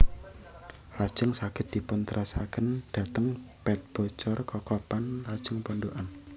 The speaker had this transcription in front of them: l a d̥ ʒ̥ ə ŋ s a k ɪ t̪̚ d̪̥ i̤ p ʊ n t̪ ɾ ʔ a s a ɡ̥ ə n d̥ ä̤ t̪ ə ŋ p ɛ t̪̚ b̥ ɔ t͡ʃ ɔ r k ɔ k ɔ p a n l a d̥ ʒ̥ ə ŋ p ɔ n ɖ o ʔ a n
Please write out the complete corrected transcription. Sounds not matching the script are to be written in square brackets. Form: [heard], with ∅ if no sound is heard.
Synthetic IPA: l a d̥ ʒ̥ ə ŋ s a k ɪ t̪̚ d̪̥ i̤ p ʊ n t̪ ɾ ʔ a s a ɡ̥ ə n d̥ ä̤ t̪ ə ŋ p ɛ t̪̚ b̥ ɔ t͡ʃ ɔ r k ɔ k ɔ p a n l a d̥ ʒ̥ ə ŋ p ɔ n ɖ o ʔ a n

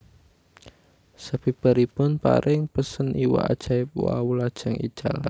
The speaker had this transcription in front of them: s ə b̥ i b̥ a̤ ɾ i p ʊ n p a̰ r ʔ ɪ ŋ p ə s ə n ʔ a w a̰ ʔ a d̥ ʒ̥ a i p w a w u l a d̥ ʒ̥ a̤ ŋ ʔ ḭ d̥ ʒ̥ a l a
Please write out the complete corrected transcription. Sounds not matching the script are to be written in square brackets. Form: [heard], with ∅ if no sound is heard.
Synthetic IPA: s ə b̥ i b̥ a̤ ɾ i p ʊ n p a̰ [ɾ] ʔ ɪ ŋ p ə s ə n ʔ [i] w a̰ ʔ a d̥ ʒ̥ a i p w a w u l a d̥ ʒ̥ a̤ ŋ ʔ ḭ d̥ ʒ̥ a l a

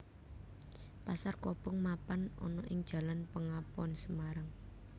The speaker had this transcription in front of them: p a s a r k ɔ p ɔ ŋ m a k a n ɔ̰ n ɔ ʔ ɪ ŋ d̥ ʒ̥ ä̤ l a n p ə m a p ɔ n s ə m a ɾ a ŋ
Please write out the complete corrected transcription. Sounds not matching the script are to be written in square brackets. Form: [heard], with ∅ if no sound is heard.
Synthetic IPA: p a s a r k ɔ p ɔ ŋ m a [p] a n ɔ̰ n ɔ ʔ ɪ ŋ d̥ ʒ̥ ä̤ l a n p ə [ŋ] a p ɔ n s ə m a ɾ a ŋ

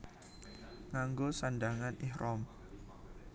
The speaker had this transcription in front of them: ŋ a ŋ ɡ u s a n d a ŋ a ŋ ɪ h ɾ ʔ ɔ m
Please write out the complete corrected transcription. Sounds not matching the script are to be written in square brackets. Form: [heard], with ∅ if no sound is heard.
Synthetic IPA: ŋ a ŋ ɡ [o] s a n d a ŋ a [n] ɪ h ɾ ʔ ɔ m

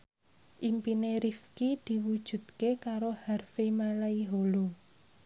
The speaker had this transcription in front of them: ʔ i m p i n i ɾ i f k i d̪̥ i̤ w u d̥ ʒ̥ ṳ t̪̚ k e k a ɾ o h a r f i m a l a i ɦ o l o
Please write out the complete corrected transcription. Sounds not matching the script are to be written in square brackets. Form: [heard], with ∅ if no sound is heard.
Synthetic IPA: ʔ i m p i n [e] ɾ i f k i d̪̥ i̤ w u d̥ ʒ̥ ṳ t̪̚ k e k a ɾ o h a r f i m a l a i ɦ o l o

